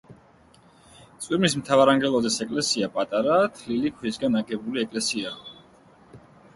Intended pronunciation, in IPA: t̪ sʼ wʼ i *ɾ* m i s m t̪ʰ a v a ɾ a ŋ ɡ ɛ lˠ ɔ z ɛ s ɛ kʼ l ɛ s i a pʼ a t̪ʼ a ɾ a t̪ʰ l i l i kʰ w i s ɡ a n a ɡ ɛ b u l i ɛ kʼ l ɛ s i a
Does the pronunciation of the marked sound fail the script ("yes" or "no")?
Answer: no